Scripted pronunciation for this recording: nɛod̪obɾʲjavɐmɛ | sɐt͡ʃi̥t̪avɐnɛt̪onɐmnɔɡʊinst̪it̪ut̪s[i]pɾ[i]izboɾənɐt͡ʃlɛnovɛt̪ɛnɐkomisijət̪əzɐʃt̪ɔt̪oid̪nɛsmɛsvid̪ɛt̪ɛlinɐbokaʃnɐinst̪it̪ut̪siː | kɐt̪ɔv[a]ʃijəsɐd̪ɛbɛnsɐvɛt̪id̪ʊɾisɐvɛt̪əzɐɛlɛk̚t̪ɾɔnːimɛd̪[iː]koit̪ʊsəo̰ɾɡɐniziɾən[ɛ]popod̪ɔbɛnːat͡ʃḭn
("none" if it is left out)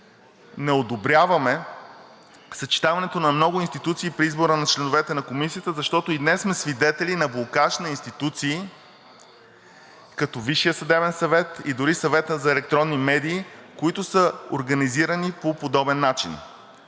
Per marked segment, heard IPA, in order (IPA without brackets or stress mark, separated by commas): iː, i, i, iː, i